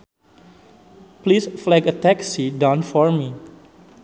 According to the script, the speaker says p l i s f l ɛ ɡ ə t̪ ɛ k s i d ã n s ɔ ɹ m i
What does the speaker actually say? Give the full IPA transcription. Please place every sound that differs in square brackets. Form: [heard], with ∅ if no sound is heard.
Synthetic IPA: p l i s f l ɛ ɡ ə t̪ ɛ k s i d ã n [f] ɔ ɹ m i

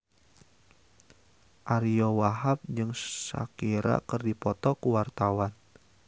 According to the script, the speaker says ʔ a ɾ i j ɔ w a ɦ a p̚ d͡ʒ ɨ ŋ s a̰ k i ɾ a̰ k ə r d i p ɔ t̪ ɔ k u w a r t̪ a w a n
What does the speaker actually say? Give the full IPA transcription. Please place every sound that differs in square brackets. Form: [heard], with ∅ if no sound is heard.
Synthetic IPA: ʔ a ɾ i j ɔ w a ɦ a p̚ d͡ʒ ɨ ŋ s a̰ k i ɾ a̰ k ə r d i p ɔ t̪ ɔ k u w a r t̪ a w a n

